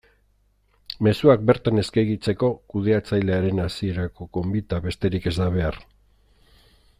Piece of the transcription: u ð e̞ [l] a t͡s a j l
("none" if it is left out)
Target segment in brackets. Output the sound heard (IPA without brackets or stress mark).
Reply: none